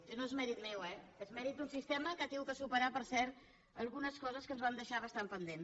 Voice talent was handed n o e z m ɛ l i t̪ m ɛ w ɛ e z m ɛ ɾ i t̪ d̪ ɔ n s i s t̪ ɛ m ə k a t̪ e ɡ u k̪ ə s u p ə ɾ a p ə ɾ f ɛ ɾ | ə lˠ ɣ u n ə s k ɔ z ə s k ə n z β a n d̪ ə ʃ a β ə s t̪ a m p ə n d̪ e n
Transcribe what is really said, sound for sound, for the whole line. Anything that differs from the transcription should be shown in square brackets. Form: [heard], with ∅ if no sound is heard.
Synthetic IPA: n o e z m ɛ [ɾ] i t̪ m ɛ w ɛ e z m ɛ ɾ i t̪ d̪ [u] n s i s t̪ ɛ m ə k a t̪ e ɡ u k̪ ə s u p ə ɾ a p ə ɾ [s] ɛ ɾ | ə lˠ ɣ u n ə s k ɔ z ə s k ə n z β a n d̪ ə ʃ a β ə s t̪ a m p ə n d̪ e n